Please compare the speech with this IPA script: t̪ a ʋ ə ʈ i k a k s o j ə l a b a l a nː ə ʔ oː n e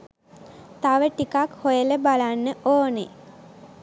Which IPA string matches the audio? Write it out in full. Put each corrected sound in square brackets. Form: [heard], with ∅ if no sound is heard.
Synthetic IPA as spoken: t̪ a ʋ ə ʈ i k a k [h] o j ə l [ə] b a l a nː ə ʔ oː n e